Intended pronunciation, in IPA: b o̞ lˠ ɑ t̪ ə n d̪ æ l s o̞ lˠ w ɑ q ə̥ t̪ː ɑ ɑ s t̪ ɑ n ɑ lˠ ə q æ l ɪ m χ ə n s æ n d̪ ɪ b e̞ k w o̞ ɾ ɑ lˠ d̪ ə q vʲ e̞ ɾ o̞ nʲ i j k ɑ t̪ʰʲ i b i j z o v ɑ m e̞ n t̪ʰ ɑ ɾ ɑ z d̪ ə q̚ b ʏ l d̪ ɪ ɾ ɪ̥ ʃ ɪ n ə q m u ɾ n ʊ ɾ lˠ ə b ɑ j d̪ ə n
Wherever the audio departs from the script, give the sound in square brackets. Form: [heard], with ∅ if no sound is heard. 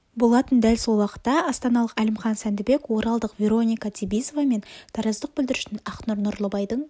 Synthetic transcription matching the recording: b o̞ lˠ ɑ t̪ ə n d̪ æ l s o̞ lˠ w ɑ q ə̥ t̪ː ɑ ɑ s t̪ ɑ n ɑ lˠ ə q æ l ɪ m χ [ɑ] n s æ n d̪ ɪ b e̞ k w o̞ ɾ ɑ lˠ d̪ ə q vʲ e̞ ɾ o̞ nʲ i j k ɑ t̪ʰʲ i b i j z o v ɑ m e̞ n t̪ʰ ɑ ɾ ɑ z d̪ ə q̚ b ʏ l d̪ ɪ ɾ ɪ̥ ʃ ɪ n [ɑ] q [n] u ɾ n ʊ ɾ lˠ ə b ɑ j d̪ ə [ɴ]